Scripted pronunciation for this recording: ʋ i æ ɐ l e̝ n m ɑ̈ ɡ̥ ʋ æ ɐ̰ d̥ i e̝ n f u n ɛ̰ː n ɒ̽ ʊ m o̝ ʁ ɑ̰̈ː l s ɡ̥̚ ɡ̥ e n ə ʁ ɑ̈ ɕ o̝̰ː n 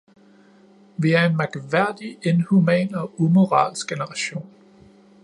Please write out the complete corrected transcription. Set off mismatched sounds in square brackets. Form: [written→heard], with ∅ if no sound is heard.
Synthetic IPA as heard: ʋ i æ ɐ [l→∅] e̝ n m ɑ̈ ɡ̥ ʋ æ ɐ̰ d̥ i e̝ n [f→h] u [n→m] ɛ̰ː n ɒ̽ [ʊ→u] m o̝ ʁ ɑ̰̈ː l s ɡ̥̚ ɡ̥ e n ə ʁ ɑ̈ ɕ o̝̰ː n